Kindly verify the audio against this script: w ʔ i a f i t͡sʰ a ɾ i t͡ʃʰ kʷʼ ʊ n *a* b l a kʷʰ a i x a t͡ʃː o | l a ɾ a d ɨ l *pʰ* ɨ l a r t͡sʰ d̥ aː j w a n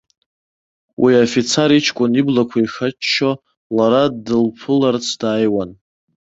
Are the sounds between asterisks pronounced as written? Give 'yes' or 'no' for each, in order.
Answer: no, yes

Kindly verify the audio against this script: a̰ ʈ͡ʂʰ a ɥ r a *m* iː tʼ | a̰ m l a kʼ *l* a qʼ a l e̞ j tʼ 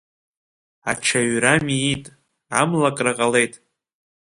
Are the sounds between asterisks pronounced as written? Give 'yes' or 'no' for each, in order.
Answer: yes, no

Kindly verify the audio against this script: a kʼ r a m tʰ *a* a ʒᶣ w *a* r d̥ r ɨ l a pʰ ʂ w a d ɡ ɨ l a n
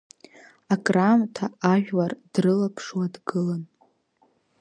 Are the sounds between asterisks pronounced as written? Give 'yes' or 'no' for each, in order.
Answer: yes, yes

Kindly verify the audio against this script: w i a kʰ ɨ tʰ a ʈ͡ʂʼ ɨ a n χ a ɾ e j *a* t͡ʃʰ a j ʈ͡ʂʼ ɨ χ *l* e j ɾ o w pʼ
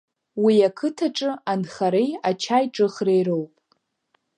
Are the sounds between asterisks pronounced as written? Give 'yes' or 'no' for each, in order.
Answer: yes, no

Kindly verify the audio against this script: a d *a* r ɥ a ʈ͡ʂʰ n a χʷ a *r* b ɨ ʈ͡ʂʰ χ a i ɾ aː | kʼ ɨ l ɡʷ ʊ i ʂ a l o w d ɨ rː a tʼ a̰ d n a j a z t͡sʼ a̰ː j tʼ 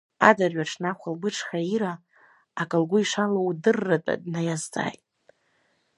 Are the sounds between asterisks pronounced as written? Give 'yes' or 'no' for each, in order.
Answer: yes, no

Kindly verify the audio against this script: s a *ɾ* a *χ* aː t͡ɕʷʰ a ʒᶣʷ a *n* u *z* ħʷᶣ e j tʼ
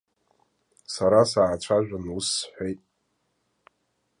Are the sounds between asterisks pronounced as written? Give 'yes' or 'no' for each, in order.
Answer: yes, no, yes, no

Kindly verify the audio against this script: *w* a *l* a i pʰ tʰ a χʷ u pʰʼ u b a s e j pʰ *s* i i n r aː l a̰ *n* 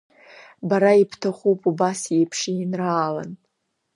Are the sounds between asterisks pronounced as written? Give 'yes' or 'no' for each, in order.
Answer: no, no, no, yes

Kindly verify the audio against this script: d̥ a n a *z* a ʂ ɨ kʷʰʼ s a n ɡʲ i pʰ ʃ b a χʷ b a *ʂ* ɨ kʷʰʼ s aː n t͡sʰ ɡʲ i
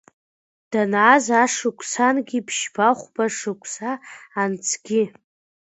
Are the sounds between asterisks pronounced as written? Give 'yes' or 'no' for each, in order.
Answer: yes, yes

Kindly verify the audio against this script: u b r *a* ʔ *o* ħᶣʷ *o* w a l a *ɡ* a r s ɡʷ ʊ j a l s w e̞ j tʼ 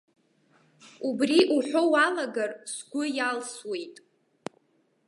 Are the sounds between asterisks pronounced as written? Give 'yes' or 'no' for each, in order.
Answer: no, no, yes, yes

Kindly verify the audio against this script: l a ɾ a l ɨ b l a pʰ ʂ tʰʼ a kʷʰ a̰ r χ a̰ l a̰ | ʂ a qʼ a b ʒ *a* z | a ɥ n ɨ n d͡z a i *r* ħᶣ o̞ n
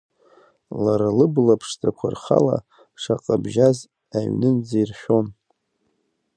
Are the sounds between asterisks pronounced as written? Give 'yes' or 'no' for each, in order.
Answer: yes, yes

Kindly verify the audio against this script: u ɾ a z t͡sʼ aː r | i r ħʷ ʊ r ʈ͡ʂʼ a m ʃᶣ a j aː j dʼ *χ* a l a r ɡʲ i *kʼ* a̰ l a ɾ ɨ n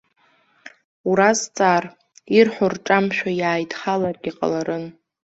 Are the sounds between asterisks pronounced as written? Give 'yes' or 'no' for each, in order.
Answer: yes, no

